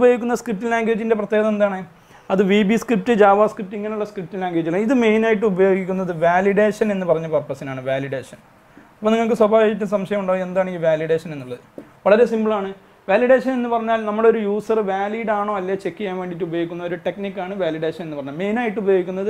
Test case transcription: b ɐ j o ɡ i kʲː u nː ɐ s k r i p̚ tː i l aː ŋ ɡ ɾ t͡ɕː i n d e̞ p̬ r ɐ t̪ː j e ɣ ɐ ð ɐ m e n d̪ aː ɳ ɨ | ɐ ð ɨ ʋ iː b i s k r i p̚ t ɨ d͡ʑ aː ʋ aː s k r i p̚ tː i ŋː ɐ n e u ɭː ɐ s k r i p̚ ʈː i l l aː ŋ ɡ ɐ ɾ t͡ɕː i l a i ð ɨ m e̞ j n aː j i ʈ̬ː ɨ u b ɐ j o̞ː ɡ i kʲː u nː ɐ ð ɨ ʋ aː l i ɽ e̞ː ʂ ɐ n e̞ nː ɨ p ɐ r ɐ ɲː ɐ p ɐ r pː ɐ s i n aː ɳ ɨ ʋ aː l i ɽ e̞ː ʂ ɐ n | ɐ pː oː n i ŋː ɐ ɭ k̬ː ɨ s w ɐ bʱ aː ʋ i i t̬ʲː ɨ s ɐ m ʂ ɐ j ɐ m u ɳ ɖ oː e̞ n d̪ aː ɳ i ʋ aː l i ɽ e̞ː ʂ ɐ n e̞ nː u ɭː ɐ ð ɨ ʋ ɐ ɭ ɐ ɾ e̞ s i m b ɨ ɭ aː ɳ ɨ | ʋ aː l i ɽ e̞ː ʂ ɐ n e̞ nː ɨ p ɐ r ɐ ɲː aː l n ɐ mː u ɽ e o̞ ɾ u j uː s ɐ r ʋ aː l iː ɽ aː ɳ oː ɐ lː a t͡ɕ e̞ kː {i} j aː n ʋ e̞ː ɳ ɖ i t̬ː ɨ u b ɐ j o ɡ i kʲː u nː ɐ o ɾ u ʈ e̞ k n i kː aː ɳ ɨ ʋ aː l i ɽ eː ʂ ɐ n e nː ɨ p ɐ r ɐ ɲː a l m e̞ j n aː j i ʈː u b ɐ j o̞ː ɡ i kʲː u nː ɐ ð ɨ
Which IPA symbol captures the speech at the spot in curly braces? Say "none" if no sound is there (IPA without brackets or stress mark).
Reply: i